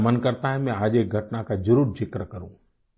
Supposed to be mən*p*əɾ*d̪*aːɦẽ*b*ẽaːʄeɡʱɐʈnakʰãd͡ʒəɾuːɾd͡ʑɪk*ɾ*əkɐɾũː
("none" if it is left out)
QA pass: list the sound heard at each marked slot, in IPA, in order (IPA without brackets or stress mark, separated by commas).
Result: k, t̪, m, ɾ